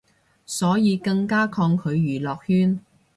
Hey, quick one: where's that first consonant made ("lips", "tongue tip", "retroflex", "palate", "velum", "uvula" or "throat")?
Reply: tongue tip